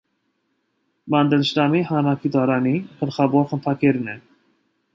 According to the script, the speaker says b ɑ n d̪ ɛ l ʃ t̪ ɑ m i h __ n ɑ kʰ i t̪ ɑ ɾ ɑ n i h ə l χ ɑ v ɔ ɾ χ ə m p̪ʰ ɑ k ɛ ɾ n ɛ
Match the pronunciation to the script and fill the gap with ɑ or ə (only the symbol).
ɑ